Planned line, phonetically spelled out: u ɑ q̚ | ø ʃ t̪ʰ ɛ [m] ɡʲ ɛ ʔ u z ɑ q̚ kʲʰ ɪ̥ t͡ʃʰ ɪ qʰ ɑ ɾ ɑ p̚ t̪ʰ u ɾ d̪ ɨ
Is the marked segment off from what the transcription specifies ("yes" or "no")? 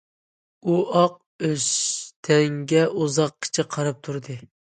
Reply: yes